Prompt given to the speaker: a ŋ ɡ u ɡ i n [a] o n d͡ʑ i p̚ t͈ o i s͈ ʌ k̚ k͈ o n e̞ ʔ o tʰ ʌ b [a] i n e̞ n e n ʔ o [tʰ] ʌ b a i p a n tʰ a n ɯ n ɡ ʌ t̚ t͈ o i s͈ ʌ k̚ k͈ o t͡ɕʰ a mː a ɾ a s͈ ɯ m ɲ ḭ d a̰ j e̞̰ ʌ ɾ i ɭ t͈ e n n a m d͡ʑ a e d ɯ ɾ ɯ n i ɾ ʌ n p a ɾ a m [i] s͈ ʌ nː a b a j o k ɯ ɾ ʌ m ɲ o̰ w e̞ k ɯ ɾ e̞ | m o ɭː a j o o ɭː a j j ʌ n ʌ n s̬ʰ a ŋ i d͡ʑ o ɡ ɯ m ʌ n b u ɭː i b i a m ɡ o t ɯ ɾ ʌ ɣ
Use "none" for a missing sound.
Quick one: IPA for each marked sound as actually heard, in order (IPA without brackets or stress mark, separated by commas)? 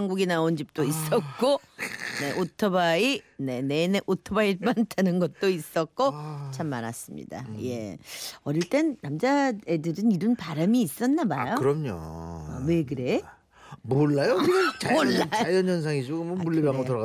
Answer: a, a, tʰ, iː